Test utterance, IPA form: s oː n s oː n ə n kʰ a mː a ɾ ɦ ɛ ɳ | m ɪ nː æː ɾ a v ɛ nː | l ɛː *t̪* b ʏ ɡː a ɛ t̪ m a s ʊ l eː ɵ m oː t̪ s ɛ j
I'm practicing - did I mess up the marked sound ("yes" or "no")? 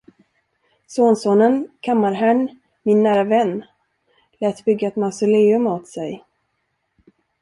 no